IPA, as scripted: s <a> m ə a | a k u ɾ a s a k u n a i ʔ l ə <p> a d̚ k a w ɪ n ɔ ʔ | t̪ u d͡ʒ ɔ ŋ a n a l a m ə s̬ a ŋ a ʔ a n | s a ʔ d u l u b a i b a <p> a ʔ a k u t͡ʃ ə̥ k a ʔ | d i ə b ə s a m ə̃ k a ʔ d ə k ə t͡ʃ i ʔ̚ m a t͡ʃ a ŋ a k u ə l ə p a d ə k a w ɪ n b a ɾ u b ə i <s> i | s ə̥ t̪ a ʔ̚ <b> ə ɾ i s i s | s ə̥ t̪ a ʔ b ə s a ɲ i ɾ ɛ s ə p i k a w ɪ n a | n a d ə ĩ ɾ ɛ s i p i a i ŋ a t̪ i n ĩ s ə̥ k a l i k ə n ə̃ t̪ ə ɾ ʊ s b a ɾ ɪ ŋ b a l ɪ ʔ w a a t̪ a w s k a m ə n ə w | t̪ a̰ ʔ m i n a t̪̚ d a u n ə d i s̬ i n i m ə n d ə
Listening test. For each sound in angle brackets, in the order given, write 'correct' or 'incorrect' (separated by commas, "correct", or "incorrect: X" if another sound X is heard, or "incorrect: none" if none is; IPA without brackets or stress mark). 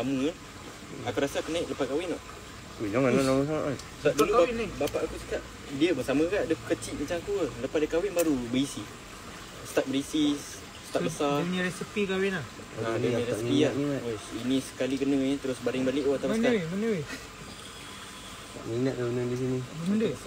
correct, correct, correct, correct, correct